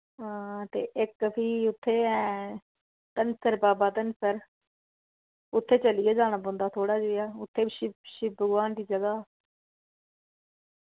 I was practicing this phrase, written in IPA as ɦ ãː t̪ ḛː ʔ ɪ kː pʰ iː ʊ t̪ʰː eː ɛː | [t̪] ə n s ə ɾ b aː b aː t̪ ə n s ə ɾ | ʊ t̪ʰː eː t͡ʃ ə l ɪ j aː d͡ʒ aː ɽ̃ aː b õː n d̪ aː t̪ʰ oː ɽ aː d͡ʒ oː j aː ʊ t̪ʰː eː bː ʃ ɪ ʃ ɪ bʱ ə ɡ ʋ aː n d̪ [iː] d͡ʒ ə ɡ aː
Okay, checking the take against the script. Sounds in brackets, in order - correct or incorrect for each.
correct, correct

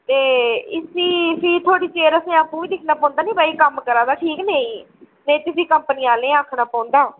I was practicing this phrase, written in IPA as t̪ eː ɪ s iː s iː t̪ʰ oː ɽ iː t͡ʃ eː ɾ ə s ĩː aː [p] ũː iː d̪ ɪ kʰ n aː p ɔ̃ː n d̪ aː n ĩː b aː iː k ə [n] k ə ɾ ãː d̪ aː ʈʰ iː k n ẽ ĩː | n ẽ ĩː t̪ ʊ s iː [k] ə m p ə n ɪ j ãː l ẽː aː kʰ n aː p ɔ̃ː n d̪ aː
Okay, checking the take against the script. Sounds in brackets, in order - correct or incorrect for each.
correct, incorrect: m, correct

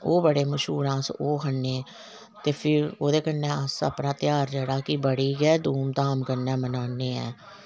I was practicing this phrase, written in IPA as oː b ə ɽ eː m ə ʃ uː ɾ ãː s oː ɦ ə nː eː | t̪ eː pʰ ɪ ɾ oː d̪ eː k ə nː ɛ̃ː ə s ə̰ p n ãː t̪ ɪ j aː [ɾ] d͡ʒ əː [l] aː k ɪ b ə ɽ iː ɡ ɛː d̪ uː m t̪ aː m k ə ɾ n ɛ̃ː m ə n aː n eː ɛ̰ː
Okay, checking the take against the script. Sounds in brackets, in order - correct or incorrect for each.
correct, incorrect: ɽ

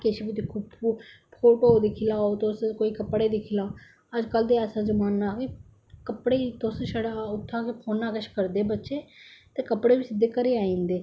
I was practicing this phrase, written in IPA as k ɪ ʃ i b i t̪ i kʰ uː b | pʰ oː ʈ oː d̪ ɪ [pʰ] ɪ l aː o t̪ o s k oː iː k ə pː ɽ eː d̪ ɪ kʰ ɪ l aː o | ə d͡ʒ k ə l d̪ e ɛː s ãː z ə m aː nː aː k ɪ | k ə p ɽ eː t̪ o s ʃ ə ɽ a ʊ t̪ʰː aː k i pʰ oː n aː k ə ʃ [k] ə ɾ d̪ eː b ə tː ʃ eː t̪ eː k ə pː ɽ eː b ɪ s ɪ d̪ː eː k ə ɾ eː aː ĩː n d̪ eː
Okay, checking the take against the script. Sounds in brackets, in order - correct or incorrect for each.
incorrect: kʰ, correct

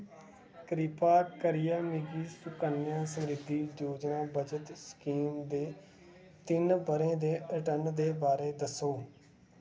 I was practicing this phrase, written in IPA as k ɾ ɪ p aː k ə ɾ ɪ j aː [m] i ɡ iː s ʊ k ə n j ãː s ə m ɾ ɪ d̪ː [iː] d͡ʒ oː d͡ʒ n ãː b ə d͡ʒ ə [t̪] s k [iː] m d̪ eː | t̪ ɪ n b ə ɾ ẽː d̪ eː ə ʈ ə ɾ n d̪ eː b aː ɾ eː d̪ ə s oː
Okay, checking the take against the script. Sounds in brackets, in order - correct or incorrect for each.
correct, correct, correct, correct

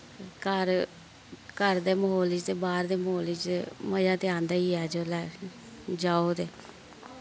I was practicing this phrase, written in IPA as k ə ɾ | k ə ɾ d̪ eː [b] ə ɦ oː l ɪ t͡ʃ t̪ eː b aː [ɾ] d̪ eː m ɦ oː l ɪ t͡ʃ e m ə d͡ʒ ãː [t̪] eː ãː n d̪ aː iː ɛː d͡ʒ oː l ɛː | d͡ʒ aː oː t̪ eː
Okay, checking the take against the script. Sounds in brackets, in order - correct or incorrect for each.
incorrect: m, correct, correct

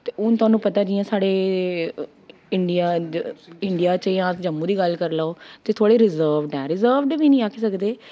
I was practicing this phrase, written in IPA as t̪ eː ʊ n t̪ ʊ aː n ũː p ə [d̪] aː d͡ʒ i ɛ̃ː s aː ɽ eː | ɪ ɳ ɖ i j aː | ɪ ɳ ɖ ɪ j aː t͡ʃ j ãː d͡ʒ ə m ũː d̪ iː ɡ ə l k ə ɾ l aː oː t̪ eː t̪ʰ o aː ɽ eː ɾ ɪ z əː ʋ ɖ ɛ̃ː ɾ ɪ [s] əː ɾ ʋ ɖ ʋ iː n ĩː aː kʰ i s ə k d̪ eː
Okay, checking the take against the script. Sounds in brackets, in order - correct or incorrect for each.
incorrect: t̪, incorrect: z

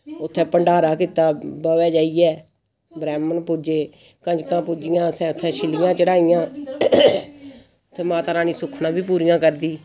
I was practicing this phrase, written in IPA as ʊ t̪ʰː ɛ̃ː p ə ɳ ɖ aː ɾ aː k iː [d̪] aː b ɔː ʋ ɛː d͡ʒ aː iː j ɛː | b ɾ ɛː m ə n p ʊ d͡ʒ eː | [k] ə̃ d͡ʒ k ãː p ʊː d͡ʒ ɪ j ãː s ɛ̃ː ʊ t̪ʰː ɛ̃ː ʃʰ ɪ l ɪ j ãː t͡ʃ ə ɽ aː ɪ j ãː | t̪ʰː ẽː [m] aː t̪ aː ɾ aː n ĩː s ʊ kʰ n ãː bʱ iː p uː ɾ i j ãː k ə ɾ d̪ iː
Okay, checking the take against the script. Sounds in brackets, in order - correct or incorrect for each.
incorrect: t̪, correct, correct

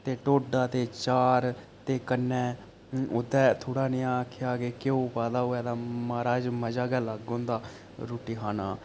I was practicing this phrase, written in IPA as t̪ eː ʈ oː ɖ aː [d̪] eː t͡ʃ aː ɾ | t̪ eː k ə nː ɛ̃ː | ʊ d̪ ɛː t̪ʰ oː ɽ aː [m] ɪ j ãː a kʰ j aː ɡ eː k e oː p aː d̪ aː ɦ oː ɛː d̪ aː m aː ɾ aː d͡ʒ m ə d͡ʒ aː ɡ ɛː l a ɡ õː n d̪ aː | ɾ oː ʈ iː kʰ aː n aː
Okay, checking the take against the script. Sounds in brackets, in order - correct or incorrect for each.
incorrect: t̪, incorrect: n

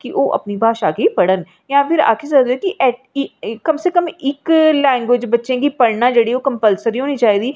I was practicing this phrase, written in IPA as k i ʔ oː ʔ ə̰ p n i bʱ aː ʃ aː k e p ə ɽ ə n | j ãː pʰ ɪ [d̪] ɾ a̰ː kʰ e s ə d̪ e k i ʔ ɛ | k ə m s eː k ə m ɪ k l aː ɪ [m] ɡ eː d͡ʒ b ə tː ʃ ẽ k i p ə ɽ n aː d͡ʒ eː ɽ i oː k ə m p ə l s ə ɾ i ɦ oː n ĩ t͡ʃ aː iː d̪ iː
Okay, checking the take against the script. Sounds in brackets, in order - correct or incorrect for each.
incorrect: none, incorrect: n

